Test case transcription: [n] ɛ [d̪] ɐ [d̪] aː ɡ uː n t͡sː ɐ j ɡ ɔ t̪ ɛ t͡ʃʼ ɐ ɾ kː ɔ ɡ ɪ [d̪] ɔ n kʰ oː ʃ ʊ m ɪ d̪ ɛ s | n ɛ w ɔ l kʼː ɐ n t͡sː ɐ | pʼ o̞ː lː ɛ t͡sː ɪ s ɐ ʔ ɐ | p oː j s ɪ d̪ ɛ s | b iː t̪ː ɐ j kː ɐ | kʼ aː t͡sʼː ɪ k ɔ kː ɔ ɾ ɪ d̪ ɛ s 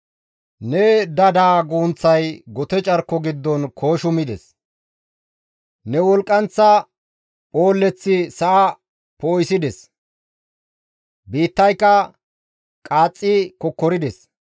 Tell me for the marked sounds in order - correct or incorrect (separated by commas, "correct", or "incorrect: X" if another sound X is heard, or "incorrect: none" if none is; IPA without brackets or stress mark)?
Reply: correct, correct, correct, incorrect: d̪ː